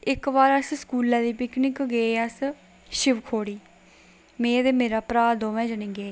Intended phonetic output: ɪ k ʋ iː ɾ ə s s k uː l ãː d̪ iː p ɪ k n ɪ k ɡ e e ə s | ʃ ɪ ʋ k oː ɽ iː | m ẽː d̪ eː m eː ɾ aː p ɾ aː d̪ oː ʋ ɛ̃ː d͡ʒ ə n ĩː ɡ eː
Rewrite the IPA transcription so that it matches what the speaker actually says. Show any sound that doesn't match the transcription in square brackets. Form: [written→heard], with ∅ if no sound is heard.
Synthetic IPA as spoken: ɪ k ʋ [iː→aː] ɾ ə s s k uː l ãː d̪ iː p ɪ k n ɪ k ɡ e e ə s | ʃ ɪ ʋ [k→kʰ] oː ɽ iː | m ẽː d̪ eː m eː ɾ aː p ɾ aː d̪ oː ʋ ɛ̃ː d͡ʒ ə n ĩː ɡ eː